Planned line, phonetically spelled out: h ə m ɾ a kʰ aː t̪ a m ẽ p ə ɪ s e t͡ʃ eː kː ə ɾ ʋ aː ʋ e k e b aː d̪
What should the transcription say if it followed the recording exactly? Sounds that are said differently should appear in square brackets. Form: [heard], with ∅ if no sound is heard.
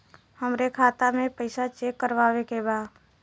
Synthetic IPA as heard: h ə m ɾ [e] kʰ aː t̪ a m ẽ p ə ɪ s [a] t͡ʃ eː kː ə ɾ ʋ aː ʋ e k e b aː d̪